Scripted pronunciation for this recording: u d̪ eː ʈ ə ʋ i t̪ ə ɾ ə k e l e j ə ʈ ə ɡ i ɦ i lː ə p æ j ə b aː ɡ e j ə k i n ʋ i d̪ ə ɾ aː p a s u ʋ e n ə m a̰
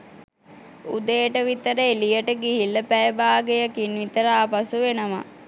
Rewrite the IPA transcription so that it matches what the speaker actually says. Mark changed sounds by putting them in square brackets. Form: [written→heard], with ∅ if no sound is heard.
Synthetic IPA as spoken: u d̪ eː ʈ ə ʋ i t̪ ə ɾ ə [k→∅] e l [e→i] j ə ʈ ə ɡ i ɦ i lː ə p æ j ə b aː ɡ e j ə k i n ʋ i [d̪→t̪] ə ɾ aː p a s u ʋ e n ə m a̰